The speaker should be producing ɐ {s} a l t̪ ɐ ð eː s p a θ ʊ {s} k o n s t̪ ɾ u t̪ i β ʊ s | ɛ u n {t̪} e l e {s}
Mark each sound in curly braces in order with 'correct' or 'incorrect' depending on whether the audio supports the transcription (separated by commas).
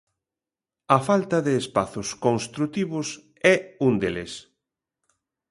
incorrect, correct, incorrect, correct